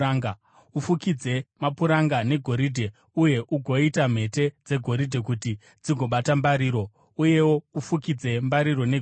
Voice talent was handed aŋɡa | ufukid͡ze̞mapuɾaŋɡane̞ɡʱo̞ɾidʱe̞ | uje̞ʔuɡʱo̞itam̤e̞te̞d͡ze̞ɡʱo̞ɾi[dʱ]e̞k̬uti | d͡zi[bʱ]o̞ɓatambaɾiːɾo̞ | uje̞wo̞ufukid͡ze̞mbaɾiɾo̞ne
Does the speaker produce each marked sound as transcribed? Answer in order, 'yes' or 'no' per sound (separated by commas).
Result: yes, no